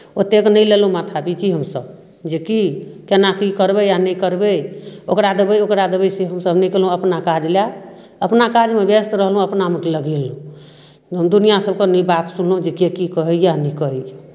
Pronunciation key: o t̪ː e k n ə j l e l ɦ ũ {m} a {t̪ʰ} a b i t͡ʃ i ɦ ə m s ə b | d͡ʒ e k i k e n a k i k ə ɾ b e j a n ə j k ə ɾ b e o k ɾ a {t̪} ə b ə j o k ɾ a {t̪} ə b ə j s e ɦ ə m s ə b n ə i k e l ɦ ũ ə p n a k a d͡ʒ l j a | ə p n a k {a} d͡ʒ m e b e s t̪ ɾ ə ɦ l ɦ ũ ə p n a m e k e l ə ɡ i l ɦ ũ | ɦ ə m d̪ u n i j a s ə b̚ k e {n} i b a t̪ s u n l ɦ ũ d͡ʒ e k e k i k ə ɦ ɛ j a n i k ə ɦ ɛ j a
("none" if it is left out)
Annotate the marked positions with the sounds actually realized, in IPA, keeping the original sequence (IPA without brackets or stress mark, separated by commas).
m, t̪ʰ, d̪, d̪, a, n